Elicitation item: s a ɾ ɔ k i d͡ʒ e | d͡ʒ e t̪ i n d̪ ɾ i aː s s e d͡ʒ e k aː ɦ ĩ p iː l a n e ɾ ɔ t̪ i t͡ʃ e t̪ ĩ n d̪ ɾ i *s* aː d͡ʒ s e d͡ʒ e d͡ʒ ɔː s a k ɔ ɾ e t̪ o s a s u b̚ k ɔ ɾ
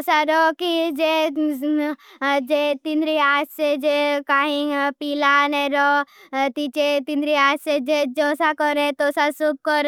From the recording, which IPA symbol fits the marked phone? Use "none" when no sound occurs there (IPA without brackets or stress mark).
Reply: none